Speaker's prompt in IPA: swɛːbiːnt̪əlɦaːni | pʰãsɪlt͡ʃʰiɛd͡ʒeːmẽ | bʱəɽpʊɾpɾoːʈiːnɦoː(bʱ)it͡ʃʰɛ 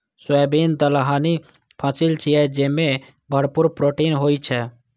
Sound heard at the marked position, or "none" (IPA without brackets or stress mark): none